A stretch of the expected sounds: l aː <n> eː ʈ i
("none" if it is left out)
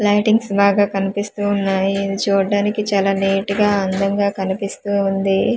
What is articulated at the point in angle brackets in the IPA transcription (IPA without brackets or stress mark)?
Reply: n